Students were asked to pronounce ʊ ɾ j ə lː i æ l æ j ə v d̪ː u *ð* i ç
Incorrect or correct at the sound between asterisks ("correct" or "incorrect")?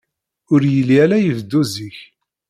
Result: incorrect